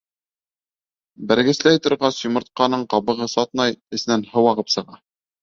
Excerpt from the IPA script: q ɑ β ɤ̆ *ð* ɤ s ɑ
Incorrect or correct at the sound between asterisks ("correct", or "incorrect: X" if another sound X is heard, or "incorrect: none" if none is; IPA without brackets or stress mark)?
incorrect: ʁ